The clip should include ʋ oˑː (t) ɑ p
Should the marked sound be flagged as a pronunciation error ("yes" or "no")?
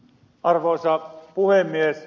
yes